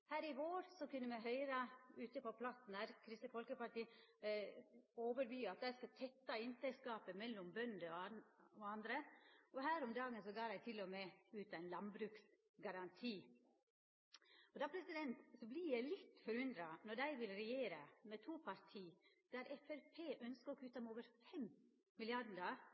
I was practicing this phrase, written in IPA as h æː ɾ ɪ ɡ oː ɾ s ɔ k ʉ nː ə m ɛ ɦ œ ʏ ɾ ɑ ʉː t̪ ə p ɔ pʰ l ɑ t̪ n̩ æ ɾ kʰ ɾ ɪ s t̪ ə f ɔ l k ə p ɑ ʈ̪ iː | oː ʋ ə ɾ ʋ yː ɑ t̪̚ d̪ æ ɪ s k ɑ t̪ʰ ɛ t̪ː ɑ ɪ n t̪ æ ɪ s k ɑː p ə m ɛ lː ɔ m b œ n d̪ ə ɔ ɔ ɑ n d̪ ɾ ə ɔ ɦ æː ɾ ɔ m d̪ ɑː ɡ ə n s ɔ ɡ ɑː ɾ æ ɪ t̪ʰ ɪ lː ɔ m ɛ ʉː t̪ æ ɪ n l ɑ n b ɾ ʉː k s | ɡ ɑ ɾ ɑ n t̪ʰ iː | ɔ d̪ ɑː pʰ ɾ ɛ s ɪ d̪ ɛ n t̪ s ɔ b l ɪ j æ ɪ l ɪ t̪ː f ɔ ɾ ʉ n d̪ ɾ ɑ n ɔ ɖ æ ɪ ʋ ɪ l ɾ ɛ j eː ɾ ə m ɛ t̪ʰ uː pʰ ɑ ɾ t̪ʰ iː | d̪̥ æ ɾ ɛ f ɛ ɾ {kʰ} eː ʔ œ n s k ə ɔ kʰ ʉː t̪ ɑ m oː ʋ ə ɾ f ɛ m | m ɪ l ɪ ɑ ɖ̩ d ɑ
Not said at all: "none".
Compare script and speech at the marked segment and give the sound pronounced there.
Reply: pʰ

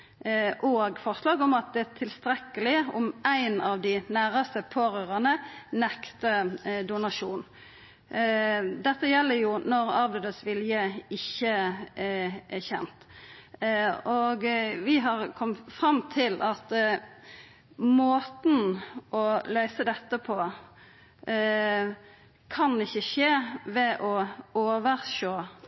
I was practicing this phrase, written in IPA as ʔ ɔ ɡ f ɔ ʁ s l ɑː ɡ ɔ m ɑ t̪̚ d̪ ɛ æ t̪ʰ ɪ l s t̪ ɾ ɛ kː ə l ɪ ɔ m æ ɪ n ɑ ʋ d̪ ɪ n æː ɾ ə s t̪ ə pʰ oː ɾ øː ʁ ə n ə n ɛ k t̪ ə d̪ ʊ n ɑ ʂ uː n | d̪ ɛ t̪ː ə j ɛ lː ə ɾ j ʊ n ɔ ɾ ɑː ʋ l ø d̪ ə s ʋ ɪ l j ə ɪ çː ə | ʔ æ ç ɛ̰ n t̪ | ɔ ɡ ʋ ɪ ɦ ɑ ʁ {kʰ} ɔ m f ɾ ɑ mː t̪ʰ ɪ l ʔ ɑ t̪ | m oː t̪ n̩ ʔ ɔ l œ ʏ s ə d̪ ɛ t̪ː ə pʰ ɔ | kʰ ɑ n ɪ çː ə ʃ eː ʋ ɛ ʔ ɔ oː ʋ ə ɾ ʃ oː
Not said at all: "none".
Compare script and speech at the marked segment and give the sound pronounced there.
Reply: kʰ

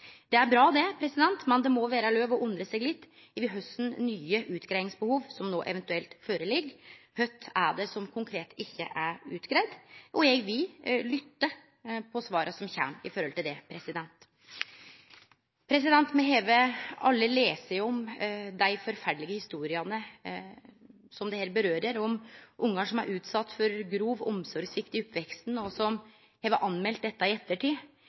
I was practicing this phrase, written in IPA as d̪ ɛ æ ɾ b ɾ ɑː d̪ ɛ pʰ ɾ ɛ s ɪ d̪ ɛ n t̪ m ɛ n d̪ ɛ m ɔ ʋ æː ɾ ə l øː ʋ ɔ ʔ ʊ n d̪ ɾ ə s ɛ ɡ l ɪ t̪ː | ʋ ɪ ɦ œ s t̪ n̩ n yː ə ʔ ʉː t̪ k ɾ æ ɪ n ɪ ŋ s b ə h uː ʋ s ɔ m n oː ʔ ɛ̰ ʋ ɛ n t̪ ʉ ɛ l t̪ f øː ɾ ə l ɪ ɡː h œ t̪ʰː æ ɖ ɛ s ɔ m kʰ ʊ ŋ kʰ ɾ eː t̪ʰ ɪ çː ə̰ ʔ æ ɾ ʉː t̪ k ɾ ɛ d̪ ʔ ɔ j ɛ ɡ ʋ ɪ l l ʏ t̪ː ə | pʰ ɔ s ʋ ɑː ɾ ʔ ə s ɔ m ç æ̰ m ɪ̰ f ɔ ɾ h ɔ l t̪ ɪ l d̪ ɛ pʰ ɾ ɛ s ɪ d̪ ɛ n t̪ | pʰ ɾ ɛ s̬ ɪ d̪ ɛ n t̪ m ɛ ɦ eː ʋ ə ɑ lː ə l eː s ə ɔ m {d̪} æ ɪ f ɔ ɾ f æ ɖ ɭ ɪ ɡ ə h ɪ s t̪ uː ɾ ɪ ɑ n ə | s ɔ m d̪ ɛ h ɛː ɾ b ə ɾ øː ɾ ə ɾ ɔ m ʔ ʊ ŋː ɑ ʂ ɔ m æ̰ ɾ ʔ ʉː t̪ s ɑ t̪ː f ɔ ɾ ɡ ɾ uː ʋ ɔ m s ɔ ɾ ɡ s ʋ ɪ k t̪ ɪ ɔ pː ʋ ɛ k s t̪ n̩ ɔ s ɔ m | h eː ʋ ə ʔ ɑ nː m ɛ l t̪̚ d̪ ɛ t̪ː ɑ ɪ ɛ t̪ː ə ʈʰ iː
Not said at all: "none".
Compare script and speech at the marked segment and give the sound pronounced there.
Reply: d̪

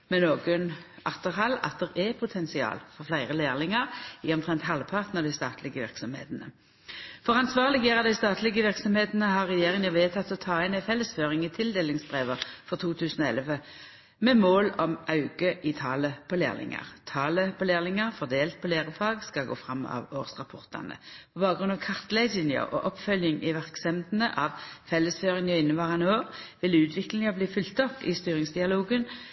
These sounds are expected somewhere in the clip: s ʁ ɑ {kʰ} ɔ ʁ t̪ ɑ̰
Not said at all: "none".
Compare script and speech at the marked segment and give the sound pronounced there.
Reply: pʰ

